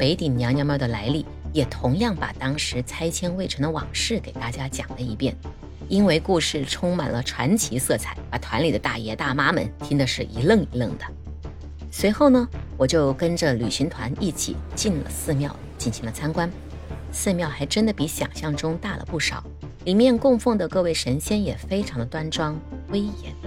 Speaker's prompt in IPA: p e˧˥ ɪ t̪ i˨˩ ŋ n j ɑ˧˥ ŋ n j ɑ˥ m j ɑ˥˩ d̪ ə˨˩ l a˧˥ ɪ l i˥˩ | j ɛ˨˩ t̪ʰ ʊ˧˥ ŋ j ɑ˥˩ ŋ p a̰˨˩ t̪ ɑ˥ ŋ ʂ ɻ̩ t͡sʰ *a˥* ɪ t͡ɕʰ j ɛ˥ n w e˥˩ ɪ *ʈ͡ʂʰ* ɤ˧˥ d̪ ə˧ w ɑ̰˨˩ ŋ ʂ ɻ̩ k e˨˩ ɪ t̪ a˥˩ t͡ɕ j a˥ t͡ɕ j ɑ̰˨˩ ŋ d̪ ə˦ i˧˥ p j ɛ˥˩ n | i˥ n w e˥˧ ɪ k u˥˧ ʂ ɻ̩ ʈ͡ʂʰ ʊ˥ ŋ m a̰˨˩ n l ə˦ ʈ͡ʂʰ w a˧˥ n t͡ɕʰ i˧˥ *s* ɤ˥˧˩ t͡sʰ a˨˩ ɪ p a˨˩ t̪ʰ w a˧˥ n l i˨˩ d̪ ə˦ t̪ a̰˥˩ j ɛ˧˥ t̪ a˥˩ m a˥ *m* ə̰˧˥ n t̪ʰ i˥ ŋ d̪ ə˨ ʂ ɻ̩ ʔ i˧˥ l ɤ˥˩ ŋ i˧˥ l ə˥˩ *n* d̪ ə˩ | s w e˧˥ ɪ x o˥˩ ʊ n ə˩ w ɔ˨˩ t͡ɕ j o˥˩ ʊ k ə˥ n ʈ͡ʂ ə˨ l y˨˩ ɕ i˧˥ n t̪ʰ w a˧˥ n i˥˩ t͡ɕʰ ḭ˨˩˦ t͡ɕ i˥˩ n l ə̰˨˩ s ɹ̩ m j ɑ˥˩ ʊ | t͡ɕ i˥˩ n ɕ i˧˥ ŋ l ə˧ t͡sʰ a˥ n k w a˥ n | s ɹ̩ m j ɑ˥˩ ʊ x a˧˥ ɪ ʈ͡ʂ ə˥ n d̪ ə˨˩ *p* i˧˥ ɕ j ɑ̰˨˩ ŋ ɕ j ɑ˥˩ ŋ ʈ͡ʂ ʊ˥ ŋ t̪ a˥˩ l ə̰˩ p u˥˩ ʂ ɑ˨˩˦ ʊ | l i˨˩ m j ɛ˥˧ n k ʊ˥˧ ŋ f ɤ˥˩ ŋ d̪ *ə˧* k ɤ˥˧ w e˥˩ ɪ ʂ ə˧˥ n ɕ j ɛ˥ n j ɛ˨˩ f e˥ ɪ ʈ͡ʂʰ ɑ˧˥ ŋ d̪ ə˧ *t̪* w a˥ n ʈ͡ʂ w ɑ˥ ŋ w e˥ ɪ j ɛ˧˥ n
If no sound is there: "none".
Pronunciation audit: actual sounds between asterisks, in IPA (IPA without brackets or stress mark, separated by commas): a˥, ʈ͡ʂʰ, s, m, ŋ, p, ə˩, t̪